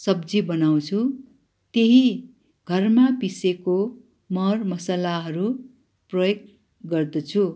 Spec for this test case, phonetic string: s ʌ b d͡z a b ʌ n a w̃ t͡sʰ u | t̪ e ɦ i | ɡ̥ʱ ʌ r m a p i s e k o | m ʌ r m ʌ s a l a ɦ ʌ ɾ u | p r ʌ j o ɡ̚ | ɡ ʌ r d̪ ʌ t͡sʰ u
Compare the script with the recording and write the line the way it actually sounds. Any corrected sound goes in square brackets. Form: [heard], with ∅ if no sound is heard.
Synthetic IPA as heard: s ʌ b d͡z [i] b ʌ n a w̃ t͡sʰ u | t̪ e ɦ i | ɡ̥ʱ ʌ r m a p i s e k o | m ʌ r m ʌ s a l a ɦ ʌ ɾ u | p r ʌ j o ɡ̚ | ɡ ʌ r d̪ ʌ t͡sʰ u